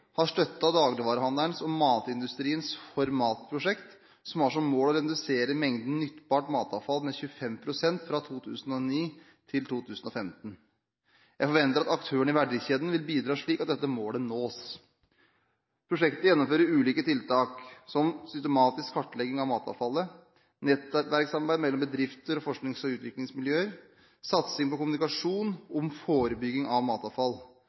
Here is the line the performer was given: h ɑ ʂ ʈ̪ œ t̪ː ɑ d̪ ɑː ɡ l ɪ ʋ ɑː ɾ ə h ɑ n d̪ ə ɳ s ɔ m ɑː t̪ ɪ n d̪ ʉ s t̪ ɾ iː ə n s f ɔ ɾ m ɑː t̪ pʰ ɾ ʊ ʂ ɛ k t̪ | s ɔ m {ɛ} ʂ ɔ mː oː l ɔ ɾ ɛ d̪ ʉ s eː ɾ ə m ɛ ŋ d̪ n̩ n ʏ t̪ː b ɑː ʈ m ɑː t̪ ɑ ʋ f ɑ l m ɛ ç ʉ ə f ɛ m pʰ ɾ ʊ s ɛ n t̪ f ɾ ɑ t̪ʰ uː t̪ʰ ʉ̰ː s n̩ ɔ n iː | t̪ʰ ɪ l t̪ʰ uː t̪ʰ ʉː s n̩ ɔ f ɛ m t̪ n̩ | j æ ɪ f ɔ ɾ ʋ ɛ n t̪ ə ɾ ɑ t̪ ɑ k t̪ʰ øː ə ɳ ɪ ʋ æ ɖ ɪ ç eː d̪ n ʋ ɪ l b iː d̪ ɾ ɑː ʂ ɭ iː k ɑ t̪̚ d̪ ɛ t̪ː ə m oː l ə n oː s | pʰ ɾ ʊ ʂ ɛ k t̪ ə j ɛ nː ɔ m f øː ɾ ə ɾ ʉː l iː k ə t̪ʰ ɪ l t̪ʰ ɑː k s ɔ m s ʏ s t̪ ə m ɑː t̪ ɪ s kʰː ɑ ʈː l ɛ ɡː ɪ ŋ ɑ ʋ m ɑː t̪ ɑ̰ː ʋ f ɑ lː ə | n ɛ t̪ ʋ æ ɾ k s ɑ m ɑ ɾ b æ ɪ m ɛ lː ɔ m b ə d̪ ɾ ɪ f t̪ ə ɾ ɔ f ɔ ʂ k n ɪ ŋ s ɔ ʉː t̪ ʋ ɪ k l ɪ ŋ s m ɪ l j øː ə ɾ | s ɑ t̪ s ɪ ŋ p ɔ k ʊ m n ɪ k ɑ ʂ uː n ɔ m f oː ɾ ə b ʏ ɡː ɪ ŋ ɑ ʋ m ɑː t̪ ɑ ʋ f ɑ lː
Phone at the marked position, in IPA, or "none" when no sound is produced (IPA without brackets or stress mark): æ